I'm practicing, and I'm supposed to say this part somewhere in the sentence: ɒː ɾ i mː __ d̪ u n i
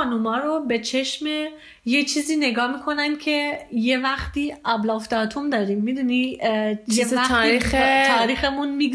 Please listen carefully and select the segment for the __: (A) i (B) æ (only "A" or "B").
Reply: A